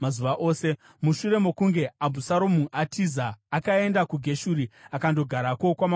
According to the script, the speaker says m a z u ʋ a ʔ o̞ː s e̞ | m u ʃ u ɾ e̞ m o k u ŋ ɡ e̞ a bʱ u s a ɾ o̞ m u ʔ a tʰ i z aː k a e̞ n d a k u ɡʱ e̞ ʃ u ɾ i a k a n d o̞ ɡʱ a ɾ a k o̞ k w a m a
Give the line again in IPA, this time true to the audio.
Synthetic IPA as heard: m a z u ʋ a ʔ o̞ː s e̞ | m u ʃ u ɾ e̞ m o k u ŋ ɡ e̞ a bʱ u s a ɾ o̞ m u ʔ a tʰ i z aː k a e̞ n d a k u ɡʱ e̞ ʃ u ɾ i a k a n d o̞ ɡʱ a ɾ a k o̞ k w a m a